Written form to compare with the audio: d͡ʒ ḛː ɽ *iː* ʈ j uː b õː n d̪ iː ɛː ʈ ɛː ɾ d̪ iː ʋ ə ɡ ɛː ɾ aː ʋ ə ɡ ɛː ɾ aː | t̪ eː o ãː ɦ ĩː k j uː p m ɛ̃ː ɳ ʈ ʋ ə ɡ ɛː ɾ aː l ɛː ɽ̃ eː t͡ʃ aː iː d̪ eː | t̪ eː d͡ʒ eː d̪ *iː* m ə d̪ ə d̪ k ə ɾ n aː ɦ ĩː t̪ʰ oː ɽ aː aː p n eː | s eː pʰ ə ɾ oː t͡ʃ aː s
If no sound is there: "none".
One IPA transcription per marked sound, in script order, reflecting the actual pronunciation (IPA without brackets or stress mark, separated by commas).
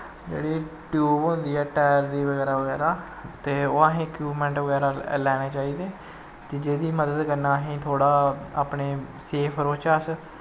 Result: iː, iː